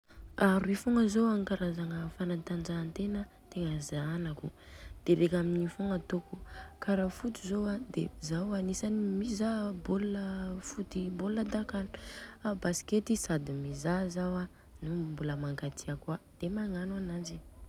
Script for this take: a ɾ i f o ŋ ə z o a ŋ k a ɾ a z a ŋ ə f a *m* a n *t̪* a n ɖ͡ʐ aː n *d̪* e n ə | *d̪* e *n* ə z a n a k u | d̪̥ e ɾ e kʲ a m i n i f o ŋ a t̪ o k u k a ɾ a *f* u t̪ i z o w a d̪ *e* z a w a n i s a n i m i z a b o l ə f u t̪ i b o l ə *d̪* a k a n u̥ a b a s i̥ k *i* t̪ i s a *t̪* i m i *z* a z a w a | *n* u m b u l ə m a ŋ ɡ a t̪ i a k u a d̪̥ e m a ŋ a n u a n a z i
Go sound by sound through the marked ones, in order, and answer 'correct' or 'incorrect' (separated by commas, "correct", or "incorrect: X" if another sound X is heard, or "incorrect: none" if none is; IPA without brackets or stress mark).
incorrect: n, correct, incorrect: t̪, incorrect: t̪, incorrect: ŋ, correct, correct, correct, incorrect: e, incorrect: d̪, correct, correct